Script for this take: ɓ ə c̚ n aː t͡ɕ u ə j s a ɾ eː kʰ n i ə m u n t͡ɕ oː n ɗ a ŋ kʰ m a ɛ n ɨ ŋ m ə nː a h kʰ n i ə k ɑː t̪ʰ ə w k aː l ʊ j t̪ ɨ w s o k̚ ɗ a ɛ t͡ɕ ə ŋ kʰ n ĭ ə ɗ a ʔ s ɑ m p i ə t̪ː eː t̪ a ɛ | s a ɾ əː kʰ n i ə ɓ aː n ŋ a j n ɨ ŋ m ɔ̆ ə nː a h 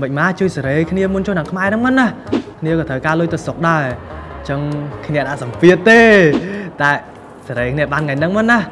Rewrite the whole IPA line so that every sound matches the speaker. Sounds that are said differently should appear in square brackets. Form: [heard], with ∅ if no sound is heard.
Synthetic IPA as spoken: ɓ ə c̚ [m] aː t͡ɕ u ə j s a ɾ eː kʰ n i ə m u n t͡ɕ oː n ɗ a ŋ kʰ m a ɛ n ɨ ŋ m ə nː a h kʰ n i ə k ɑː t̪ʰ ə w k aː l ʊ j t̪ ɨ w s o k̚ ɗ a ɛ t͡ɕ ə ŋ kʰ n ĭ ə ɗ a ʔ s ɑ m p i ə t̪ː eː t̪ a ɛ | s a ɾ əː kʰ n i ə ɓ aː n ŋ a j n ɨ ŋ m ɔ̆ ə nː a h